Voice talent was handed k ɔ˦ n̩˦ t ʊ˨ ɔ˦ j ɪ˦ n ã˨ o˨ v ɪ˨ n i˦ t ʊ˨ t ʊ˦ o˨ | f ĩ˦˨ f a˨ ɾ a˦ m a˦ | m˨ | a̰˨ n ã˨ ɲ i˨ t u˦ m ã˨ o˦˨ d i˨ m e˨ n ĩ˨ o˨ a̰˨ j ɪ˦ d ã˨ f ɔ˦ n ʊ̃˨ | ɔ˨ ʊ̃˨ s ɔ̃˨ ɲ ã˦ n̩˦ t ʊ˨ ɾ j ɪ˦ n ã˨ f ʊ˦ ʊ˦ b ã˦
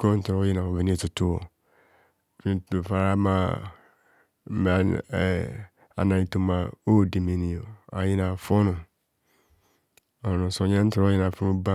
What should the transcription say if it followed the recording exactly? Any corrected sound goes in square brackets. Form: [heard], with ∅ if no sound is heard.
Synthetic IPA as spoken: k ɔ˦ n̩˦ t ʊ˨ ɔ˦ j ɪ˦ n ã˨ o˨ v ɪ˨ n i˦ t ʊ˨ t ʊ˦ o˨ | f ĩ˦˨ f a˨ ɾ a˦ m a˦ | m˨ | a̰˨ n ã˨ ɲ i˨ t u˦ m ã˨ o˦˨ d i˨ m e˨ n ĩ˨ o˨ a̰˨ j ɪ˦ [n] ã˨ f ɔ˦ n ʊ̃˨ | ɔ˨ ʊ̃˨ s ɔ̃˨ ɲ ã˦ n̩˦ t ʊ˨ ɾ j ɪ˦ n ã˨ f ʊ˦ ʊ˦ b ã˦